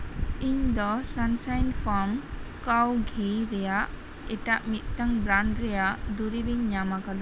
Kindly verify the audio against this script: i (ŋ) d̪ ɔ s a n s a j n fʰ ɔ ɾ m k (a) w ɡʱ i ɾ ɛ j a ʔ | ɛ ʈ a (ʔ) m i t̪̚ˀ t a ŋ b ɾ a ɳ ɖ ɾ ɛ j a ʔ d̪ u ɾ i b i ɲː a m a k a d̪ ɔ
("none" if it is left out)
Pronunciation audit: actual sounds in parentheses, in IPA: ɲ, a, ʔ

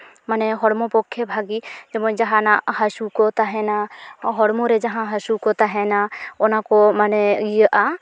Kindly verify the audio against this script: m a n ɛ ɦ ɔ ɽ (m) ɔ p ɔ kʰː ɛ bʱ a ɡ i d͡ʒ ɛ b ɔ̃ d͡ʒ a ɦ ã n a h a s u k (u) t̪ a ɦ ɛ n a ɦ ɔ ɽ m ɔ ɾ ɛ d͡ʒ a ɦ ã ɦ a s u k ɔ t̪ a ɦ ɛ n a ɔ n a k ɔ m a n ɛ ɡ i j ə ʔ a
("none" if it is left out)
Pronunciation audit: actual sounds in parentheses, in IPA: m, ɔ

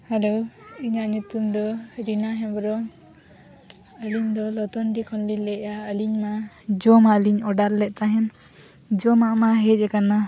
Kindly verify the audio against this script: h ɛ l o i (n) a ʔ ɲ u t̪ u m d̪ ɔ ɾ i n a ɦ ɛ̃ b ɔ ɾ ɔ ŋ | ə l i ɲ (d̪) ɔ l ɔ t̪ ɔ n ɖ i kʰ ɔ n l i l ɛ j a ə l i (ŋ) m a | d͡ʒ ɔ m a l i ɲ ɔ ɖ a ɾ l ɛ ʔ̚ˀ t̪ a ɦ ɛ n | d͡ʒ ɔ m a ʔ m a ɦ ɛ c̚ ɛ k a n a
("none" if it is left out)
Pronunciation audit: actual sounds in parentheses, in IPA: ɲ, d̪, ɲ

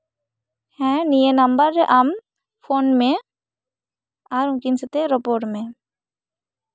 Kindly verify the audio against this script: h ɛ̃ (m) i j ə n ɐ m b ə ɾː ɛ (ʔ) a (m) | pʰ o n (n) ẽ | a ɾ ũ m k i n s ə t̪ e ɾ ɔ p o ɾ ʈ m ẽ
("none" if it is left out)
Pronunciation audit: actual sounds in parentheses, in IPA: n, ʔ, m, m

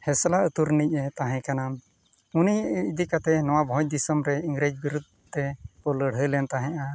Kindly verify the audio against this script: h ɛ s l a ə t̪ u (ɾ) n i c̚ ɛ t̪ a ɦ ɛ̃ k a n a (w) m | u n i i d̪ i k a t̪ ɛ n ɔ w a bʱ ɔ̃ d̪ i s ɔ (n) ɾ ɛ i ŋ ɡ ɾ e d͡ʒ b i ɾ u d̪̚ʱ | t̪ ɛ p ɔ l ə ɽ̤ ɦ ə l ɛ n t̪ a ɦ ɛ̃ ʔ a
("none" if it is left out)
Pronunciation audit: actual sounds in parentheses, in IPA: ɾ, none, m

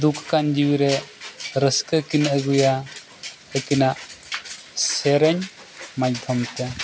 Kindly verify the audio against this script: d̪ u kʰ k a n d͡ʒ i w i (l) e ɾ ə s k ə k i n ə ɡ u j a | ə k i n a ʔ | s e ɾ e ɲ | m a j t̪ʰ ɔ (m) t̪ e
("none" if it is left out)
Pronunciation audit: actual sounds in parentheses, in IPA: ɾ, m

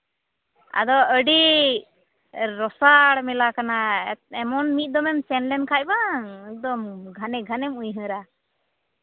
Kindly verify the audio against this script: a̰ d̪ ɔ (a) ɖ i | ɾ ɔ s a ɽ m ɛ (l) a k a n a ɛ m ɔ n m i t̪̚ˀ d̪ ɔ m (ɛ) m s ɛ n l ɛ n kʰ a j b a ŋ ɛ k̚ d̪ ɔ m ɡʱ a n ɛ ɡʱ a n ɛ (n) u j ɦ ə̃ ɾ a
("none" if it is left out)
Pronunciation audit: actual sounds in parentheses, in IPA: ə, l, ɛ, m

